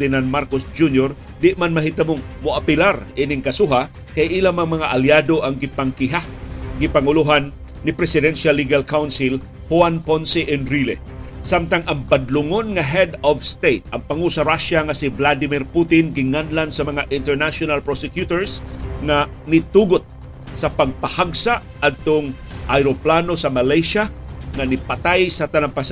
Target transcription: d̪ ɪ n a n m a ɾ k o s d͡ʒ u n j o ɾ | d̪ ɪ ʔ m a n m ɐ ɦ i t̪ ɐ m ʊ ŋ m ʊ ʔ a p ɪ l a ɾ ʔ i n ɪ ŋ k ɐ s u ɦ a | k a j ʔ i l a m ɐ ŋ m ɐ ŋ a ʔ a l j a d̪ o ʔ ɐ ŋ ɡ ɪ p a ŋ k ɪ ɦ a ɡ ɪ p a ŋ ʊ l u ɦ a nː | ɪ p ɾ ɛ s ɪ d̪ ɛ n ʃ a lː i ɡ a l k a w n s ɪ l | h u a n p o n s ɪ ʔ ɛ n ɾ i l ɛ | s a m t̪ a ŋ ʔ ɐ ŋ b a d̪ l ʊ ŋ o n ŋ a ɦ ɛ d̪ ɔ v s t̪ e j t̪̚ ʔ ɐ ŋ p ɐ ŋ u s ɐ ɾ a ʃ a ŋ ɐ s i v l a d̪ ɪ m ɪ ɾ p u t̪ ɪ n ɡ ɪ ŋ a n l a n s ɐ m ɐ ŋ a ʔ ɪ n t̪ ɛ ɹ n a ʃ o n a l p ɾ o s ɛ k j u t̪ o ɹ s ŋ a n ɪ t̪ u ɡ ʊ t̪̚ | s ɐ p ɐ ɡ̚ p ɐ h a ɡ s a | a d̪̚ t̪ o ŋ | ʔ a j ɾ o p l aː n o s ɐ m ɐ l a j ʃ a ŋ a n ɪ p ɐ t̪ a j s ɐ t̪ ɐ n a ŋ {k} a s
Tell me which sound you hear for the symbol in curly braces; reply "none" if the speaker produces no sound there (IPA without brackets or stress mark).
p